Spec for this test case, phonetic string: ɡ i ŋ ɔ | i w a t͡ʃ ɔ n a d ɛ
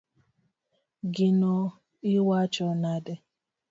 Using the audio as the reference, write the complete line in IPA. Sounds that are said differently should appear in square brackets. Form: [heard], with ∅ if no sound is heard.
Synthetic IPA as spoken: ɡ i [n] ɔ | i w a t͡ʃ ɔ n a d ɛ

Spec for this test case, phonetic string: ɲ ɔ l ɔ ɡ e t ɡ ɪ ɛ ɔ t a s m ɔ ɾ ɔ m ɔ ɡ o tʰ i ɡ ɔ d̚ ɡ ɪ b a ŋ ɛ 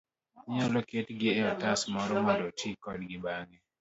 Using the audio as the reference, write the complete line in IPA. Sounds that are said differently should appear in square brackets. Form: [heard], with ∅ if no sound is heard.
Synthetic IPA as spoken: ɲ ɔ l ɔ [k] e t ɡ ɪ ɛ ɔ t a s m ɔ ɾ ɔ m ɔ [d] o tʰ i [k] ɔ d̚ ɡ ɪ b a ŋ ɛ

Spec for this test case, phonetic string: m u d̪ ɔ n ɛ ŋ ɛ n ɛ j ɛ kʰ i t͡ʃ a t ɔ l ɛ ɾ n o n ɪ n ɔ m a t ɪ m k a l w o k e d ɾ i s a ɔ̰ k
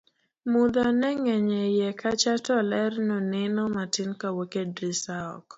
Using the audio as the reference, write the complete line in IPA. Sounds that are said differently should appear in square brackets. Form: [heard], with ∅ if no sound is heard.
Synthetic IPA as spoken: m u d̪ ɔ n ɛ ŋ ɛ [ɲ] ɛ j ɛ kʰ [a] t͡ʃ a t ɔ l ɛ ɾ n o n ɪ n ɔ m a t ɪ [n] k a [∅] w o k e d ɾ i s a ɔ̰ k

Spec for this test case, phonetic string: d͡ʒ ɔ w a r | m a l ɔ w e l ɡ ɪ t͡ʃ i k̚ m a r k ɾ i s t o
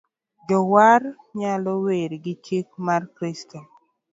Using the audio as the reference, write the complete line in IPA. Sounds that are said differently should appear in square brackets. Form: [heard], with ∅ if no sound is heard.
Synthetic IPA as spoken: d͡ʒ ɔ w a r | [ɲ] a l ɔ w e [ɾ] ɡ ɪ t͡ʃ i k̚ m a r k ɾ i s t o

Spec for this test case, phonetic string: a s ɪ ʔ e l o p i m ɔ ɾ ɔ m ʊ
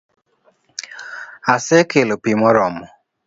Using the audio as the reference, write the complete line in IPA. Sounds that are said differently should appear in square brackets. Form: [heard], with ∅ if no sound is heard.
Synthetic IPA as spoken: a s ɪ [k] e l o p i m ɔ ɾ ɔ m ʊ

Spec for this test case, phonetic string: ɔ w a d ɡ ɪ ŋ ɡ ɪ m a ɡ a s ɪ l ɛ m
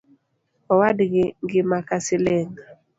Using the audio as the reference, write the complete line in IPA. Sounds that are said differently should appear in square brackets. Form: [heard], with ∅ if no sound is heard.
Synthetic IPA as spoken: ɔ w a d ɡ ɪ ŋ ɡ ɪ m a [k] a s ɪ l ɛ [ŋ]

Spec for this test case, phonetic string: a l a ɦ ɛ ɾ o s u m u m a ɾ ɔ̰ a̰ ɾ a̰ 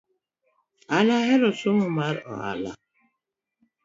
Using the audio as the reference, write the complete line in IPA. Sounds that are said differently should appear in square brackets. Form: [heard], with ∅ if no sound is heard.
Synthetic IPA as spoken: a l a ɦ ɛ ɾ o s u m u m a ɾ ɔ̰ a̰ [l] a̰

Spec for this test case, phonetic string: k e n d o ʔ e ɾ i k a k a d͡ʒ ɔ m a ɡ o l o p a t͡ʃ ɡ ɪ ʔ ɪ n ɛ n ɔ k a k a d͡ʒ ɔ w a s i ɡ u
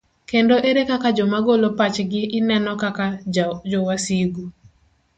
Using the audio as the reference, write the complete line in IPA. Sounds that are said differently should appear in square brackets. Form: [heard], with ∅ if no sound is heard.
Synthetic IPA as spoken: k e n d o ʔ e ɾ [e] k a k a d͡ʒ ɔ m a ɡ o l o p a t͡ʃ ɡ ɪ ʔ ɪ n ɛ n ɔ k a k a d͡ʒ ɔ w a s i ɡ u

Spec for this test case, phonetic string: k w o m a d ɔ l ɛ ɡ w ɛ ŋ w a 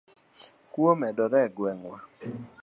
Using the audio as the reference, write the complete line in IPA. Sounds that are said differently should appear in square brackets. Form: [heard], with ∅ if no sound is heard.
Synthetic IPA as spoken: k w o m [ɛ] d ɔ [ɾ] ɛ ɡ w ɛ ŋ w a

